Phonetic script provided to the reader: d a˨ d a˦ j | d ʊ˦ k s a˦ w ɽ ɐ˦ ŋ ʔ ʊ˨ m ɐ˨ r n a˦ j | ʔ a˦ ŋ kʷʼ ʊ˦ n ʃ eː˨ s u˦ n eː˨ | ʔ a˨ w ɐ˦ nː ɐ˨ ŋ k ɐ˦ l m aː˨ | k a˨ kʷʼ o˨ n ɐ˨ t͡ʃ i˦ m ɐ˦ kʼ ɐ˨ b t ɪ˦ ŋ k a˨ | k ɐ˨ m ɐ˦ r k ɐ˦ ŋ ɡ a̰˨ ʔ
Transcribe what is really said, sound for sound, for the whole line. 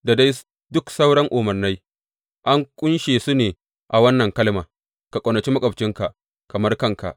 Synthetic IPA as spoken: d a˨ d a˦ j | d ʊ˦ k s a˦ w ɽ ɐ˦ ŋ ʔ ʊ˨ m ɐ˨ r n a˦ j | ʔ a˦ ŋ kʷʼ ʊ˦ n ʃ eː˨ s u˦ n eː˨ | ʔ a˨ w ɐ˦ nː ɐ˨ ŋ k ɐ˦ l m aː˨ | k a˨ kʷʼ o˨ n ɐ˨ t͡ʃ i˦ m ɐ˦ kʼ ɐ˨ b t͡ʃ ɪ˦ ŋ k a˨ | k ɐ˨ m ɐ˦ r k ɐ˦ ŋ k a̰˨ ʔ

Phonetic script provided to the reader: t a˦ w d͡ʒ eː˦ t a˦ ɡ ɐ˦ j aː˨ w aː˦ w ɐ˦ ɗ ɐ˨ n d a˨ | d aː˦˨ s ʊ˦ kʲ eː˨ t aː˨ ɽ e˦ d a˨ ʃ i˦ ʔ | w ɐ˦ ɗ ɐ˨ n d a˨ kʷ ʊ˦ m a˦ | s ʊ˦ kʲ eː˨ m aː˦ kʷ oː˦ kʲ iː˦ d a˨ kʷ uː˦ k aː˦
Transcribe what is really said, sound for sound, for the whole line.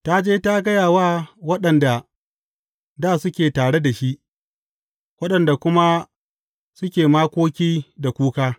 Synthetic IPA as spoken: t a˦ d͡ʒ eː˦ t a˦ ɡ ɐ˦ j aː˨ w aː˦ w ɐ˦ ɗ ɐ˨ n d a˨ | d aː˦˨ s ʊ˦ kʲ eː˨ t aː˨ ɽ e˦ d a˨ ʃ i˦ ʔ | w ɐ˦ ɗ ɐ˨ n d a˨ kʷ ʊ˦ m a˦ | s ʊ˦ kʲ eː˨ m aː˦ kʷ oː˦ kʲ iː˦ d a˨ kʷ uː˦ k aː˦

